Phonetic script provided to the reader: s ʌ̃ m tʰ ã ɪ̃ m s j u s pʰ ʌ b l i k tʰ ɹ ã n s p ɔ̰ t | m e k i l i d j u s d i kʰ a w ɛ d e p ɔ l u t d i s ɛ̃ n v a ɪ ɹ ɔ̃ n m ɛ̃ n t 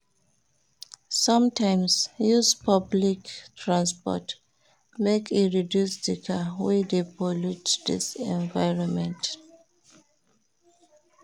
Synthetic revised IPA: s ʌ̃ m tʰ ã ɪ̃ m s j u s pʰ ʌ b l i k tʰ ɹ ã n s p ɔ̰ t | m e k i ɹ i d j u s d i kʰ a w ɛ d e p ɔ l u t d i s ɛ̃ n v a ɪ ɹ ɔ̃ n m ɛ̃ n t